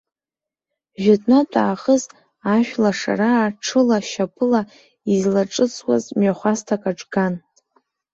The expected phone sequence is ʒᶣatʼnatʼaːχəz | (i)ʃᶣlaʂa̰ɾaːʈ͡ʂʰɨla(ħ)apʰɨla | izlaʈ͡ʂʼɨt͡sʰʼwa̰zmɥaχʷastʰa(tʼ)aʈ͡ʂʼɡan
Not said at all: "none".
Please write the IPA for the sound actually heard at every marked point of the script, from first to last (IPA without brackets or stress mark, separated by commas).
a, ʃ, kʼ